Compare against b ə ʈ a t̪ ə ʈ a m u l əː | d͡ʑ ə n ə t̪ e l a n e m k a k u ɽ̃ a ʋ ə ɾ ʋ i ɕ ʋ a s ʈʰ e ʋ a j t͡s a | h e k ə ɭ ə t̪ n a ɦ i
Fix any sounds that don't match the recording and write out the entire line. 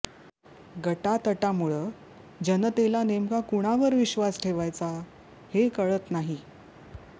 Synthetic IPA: ɡ ə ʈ a t̪ ə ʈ a m u ɭ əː | d͡ʑ ə n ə t̪ e l a n e m k a k u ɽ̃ a ʋ ə ɾ ʋ i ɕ ʋ a s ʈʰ e ʋ a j t͡s a | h e k ə ɭ ə t̪ n a ɦ i